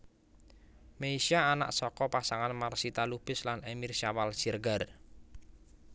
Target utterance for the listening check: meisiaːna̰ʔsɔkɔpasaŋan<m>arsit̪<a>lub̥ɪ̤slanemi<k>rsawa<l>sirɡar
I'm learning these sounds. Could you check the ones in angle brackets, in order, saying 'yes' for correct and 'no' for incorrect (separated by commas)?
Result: yes, yes, no, yes